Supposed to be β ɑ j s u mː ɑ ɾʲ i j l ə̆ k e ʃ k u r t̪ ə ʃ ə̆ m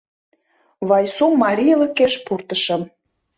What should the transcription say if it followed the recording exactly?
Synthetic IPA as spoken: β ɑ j s u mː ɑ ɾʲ i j l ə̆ k e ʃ p u r t̪ ə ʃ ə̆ m